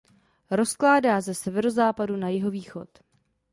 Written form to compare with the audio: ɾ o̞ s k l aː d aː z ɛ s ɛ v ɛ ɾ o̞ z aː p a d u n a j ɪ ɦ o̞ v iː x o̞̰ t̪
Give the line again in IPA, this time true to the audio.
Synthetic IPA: ɾ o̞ s k l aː d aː z ɛ s ɛ v ɛ ɾ o̞ z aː p a d u n a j ɪ ɦ o̞ v iː x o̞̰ t̪